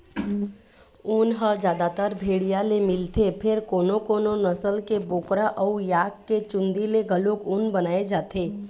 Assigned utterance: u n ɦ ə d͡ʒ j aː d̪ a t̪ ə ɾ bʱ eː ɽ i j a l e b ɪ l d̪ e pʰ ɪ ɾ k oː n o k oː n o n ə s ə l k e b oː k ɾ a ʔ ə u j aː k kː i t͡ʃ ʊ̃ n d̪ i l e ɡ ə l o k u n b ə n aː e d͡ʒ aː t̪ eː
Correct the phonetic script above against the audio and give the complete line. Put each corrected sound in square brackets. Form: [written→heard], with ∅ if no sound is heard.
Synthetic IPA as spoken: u n ɦ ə d͡ʒ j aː d̪ a t̪ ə ɾ bʱ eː ɽ i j a l e [b→m] ɪ l [d̪→t̪] e pʰ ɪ ɾ k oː n o k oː n o n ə s ə l k e b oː k ɾ a ʔ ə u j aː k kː [i→e] t͡ʃ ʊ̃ n d̪ i l e ɡ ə l o k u n b ə n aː e d͡ʒ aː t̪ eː